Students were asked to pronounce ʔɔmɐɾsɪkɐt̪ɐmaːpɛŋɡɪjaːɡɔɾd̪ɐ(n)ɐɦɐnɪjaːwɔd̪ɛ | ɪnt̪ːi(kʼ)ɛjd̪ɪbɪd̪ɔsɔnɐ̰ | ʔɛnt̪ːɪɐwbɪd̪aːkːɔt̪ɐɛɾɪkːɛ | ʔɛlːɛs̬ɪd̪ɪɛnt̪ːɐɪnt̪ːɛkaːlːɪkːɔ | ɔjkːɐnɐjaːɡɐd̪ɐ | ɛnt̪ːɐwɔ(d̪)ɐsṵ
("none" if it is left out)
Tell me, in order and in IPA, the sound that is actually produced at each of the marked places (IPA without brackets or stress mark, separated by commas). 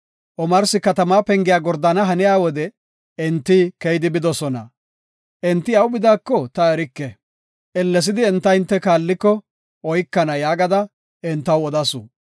n, k, d̪